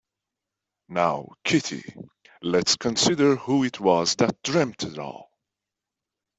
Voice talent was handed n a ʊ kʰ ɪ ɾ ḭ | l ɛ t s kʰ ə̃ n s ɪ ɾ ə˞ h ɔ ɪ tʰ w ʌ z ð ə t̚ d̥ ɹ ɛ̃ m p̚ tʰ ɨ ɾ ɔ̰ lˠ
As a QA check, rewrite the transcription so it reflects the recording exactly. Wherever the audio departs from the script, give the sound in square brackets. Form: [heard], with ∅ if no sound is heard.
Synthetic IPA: n a ʊ kʰ ɪ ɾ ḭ | l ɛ t s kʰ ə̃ n s ɪ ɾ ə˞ h [u] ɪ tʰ w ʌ z ð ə t̚ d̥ ɹ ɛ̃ m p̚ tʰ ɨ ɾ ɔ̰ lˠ

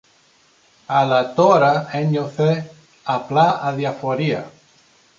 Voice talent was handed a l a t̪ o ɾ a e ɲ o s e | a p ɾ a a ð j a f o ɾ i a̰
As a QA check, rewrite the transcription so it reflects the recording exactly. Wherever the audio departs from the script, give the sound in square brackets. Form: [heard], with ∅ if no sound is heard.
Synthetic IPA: a l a t̪ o ɾ a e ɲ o [θ] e | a p [l] a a ð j a f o ɾ i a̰

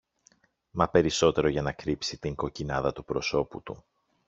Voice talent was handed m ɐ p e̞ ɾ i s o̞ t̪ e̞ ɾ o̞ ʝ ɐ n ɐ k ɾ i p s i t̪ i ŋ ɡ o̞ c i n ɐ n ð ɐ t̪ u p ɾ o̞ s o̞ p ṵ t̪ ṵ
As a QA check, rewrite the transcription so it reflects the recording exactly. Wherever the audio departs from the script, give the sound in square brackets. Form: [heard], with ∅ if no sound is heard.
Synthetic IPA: m ɐ p e̞ ɾ i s o̞ t̪ e̞ ɾ o̞ ʝ ɐ n ɐ k ɾ i p s i t̪ i ŋ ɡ o̞ c i n ɐ [∅] ð ɐ t̪ u p ɾ o̞ s o̞ p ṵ t̪ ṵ

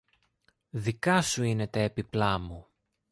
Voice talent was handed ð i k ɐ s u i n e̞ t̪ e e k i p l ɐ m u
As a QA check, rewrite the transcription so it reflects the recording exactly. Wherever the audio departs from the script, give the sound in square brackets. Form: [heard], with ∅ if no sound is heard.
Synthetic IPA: ð i k ɐ s u i n e̞ t̪ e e [p] i p l ɐ m u

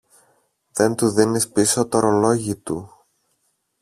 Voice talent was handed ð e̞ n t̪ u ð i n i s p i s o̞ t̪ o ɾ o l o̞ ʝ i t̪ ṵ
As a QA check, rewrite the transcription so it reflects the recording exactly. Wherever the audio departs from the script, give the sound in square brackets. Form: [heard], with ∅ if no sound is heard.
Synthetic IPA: ð e̞ n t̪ u ð i n i s p i s o̞ t̪ o ɾ o l o̞ ʝ i t̪ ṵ

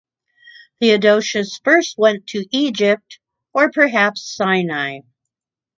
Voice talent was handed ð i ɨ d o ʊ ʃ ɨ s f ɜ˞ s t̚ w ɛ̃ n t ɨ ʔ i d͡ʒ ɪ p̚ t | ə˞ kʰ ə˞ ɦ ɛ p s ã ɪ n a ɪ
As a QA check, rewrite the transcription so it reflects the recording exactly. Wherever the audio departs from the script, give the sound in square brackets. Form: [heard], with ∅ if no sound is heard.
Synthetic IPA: ð i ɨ d o ʊ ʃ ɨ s f ɜ˞ s t̚ w ɛ̃ n [tʰ] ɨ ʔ i d͡ʒ ɪ p̚ t | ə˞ [pʰ] ə˞ ɦ [æ] p s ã ɪ n a ɪ

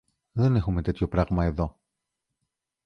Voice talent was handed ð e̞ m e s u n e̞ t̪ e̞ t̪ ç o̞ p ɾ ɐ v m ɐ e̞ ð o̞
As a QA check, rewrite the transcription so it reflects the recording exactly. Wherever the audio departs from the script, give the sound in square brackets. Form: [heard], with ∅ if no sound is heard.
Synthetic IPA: ð e̞ [n] e [x] u [m] e̞ t̪ e̞ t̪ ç o̞ p ɾ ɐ [ɣ] m ɐ e̞ ð o̞

